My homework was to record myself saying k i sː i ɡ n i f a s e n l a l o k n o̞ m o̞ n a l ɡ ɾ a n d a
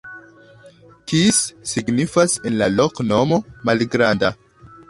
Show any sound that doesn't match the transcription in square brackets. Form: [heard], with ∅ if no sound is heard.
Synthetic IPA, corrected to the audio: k i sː i ɡ n i f a s e n l a l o k n o̞ m o̞ [m] a l ɡ ɾ a n d a